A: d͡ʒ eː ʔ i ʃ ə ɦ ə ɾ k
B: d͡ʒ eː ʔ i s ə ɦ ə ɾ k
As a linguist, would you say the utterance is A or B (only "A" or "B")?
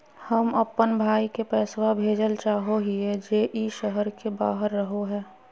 A